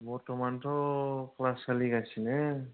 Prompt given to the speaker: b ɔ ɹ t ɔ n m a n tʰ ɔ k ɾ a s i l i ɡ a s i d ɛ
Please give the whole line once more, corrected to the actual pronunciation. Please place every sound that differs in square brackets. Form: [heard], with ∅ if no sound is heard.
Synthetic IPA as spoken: b ɔ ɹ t ɔ [∅] m a n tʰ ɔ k [l] a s [a] l i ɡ a s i [n] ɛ